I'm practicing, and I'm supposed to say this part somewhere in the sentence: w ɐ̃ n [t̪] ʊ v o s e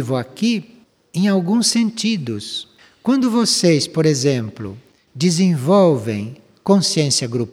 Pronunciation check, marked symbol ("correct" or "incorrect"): incorrect